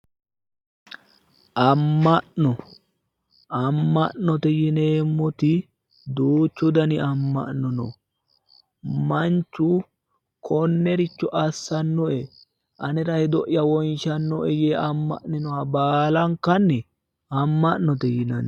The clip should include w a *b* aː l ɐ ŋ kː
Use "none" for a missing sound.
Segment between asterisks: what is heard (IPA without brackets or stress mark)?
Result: b